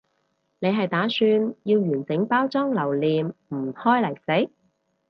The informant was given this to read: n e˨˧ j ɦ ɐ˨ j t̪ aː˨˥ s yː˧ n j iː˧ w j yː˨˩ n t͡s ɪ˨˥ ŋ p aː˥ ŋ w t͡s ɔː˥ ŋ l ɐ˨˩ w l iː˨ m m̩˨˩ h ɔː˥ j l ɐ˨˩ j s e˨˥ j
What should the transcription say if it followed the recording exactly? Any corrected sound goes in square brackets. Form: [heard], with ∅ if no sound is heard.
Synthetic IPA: n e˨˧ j ɦ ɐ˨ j t̪ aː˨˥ s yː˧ n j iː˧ w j yː˨˩ n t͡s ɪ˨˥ ŋ p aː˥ [∅] w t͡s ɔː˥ ŋ l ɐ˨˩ w l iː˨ m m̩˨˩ h ɔː˥ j l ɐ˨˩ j s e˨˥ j

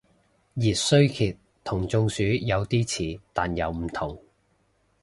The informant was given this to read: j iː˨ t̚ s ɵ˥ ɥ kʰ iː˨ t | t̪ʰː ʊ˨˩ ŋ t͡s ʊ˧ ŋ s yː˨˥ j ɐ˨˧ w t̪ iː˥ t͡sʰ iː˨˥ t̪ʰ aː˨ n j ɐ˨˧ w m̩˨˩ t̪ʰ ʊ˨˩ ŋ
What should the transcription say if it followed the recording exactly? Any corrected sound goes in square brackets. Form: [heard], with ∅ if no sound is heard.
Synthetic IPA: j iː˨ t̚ s ɵ˥ ɥ kʰ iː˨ t | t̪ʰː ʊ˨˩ ŋ t͡s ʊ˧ ŋ s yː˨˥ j ɐ˨˧ w t̪ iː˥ t͡sʰ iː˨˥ [t̪] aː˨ n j ɐ˨˧ w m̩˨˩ t̪ʰ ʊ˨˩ ŋ

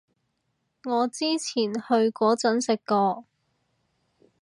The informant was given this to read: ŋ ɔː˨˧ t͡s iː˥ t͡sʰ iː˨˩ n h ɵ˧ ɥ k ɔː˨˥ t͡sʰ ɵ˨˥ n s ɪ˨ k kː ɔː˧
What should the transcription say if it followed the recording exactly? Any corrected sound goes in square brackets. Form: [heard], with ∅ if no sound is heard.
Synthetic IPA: ŋ ɔː˨˧ t͡s iː˥ t͡sʰ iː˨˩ n h ɵ˧ ɥ k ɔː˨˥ [t͡s] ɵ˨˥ n s ɪ˨ k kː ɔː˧

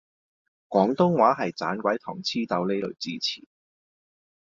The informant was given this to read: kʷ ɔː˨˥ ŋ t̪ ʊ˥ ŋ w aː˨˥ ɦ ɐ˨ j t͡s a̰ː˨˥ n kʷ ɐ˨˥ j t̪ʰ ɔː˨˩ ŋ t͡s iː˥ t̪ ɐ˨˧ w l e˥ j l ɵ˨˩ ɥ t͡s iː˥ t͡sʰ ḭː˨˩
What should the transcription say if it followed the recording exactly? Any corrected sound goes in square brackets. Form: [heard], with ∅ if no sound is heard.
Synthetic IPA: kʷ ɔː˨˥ ŋ t̪ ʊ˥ ŋ w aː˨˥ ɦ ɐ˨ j t͡s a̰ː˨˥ n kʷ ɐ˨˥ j t̪ʰ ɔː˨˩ ŋ [t͡sʰ] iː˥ t̪ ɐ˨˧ w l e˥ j l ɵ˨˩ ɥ t͡s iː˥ t͡sʰ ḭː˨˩

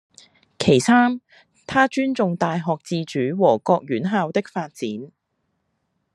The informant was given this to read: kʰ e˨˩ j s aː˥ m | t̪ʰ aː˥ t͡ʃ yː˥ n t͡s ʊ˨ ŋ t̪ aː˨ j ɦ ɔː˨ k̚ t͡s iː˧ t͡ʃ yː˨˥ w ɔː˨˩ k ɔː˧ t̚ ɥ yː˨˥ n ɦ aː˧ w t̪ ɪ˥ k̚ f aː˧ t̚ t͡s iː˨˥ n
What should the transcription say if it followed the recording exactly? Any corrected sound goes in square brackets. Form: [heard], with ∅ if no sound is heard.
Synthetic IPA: kʰ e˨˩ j s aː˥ m | t̪ʰ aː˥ t͡ʃ yː˥ n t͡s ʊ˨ ŋ t̪ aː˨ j ɦ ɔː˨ k̚ t͡s iː˧ t͡ʃ yː˨˥ w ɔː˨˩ k ɔː˧ [k̚] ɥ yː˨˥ n ɦ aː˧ w t̪ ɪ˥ k̚ f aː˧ t̚ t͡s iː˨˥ n

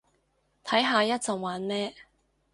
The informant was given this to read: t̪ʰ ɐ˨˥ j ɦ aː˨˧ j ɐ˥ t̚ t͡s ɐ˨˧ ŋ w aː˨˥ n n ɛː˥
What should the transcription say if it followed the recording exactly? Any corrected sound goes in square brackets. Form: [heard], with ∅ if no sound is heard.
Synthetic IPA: t̪ʰ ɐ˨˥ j ɦ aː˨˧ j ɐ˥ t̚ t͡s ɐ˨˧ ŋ w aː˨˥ n [m] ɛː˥

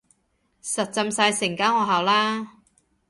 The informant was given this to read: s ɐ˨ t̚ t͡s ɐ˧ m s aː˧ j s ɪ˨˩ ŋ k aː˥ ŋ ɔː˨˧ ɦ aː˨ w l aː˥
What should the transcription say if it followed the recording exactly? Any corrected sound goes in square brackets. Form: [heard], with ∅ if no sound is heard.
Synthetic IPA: s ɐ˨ t̚ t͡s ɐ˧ m s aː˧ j s ɪ˨˩ ŋ k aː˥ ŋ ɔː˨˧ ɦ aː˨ w l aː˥

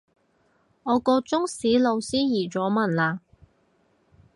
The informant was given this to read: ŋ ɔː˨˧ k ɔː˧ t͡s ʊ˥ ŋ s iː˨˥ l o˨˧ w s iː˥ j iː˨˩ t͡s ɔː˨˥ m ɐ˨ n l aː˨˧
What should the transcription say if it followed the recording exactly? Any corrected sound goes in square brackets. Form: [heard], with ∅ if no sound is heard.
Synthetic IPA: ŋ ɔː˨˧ k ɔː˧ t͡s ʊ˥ ŋ s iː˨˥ l o˨˧ w s iː˥ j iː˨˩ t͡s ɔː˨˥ m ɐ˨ n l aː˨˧

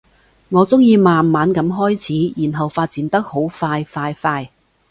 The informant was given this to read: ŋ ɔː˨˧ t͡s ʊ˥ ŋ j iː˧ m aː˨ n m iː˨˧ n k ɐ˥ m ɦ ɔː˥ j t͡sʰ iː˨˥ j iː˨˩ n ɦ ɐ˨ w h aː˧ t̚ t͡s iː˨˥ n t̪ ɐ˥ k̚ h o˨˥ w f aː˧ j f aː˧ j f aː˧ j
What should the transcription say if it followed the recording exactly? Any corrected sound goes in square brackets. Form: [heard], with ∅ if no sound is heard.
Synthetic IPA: ŋ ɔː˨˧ t͡s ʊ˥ ŋ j iː˧ m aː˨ n m [aː˨˧] n k [ɐ˨˥] m ɦ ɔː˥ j t͡sʰ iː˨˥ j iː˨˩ n ɦ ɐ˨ w [f] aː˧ t̚ t͡s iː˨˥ n t̪ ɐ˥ k̚ h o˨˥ w f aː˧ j f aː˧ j f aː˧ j

